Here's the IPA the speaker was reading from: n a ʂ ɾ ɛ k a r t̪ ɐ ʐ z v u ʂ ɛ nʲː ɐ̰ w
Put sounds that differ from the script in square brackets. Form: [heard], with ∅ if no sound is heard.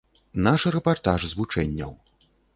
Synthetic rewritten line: n a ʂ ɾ ɛ [p] a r t̪ [a] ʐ z v u [t͡ʂ] ɛ nʲː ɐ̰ w